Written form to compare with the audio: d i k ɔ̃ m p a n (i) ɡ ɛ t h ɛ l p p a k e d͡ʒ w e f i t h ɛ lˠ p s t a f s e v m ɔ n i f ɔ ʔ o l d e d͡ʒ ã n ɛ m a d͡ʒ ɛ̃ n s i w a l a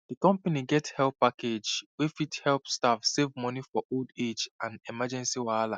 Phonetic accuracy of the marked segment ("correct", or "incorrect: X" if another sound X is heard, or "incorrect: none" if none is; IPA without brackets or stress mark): correct